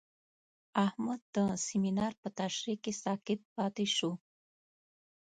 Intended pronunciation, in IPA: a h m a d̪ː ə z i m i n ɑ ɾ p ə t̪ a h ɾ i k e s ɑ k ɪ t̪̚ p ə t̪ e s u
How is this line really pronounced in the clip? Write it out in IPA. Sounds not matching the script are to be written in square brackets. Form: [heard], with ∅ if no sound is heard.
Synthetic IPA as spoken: a h m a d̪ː ə [s] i m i n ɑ ɾ p ə t̪ a [ʃ] ɾ i k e s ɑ k ɪ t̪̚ p [ɑ] t̪ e [ʃ] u